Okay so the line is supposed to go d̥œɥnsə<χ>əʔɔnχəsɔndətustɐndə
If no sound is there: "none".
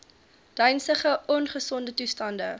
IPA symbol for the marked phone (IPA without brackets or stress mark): χ